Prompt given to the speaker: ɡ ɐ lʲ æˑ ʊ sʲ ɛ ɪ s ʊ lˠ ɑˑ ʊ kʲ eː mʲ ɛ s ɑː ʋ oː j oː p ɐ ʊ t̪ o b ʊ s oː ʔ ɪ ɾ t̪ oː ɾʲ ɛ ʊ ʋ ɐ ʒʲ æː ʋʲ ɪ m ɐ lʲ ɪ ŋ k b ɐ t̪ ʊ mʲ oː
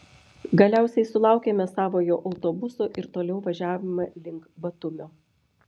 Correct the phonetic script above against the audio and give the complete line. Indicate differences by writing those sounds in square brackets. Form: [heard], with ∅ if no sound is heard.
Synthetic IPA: ɡ ɐ lʲ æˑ ʊ sʲ ɛ ɪ s ʊ lˠ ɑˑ ʊ kʲ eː mʲ ɛ s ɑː ʋ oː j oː [ʔ] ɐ ʊ t̪ o b ʊ s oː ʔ ɪ ɾ t̪ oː [lʲ] ɛ ʊ ʋ ɐ ʒʲ æː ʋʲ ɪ m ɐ lʲ ɪ ŋ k b ɐ t̪ ʊ mʲ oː